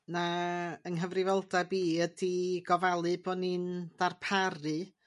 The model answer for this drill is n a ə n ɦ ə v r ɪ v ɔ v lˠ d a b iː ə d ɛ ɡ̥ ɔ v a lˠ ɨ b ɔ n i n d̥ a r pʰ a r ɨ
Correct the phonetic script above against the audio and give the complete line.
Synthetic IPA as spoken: n a ə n ɦ ə v r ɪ v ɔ lˠ d a b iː ə d i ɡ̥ ɔ v a lˠ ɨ b ɔ n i n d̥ a r pʰ a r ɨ